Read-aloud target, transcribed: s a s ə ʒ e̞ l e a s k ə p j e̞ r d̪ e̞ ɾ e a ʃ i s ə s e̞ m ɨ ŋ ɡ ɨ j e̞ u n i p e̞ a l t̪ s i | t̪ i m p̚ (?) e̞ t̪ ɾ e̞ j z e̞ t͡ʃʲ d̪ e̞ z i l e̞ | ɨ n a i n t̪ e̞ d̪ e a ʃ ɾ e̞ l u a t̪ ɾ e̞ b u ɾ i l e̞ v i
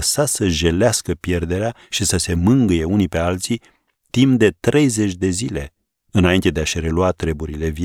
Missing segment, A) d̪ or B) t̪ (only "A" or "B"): A